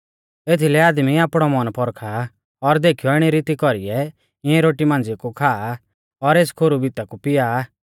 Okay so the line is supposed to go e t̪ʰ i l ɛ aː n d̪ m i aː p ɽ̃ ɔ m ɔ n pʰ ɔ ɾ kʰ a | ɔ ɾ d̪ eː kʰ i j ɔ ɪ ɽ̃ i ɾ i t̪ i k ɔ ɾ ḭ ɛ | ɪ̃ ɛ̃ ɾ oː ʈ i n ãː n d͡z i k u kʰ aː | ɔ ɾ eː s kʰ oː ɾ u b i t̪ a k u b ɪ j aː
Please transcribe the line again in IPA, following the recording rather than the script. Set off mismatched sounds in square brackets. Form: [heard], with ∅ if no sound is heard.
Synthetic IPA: e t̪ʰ i l ɛ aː [∅] d̪ m i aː p ɽ̃ ɔ m ɔ n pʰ ɔ ɾ kʰ a | ɔ ɾ d̪ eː kʰ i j ɔ ɪ ɽ̃ i ɾ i t̪ i k ɔ ɾ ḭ ɛ | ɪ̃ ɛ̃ ɾ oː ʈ i [m] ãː n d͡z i k u kʰ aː | ɔ ɾ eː s kʰ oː ɾ u b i t̪ a k u [p] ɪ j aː